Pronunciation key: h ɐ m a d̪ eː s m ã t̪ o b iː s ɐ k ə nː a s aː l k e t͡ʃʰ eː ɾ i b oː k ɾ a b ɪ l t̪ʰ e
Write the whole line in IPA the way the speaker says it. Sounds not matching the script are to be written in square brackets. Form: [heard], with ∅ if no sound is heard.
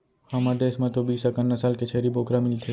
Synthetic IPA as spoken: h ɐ m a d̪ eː s m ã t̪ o b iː s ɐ k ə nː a s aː l k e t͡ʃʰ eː ɾ i b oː k ɾ a [m] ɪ l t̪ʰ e